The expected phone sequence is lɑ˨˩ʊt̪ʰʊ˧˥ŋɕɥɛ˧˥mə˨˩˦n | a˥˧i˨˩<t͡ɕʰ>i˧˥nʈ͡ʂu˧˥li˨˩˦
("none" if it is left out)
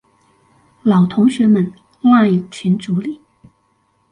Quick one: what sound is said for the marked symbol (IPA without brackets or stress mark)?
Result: t͡ɕʰ